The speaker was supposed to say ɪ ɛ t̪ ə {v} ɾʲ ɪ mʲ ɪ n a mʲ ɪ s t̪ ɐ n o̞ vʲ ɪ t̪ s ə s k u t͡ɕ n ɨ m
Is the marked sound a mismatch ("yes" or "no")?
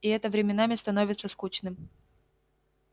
no